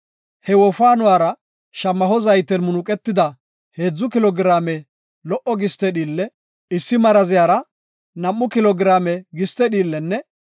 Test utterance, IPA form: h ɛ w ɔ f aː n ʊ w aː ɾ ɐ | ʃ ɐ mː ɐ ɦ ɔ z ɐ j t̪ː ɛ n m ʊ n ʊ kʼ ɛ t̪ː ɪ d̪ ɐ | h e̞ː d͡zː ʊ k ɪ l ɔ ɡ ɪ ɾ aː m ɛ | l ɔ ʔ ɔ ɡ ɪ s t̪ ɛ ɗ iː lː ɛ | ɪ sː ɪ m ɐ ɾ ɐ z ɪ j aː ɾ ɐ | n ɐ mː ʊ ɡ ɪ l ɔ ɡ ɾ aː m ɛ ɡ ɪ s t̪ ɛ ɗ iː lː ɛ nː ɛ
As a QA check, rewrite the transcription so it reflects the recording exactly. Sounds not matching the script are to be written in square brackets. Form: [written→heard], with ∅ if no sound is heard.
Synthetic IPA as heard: h ɛ w ɔ f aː n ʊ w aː ɾ ɐ | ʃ ɐ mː ɐ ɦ ɔ z ɐ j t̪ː ɛ n m ʊ n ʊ kʼ ɛ t̪ː ɪ d̪ ɐ | h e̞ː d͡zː ʊ k ɪ l ɔ ɡ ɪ ɾ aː m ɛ | l ɔ ʔ ɔ ɡ ɪ s t̪ ɛ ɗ iː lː ɛ | ɪ sː ɪ m ɐ ɾ ɐ z ɪ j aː ɾ ɐ | n ɐ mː ʊ [ɡ→k] ɪ l ɔ ɡ ɾ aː m ɛ ɡ ɪ s t̪ ɛ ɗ iː lː ɛ nː ɛ